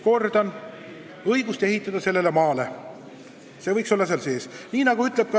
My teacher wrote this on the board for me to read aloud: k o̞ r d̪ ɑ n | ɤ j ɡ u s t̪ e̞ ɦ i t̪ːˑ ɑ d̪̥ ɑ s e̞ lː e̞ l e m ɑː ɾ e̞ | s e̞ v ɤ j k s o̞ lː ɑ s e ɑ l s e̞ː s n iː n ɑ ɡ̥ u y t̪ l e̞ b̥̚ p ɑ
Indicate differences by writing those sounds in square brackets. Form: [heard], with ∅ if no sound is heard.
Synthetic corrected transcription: k o̞ r d̪ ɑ n | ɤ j ɡ u s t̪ e̞ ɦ i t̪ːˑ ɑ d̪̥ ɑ s e̞ lː e̞ l e m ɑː [l] e̞ | s e̞ v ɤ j k s o̞ lː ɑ s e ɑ l s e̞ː s n iː n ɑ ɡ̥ u y t̪ l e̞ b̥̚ [k] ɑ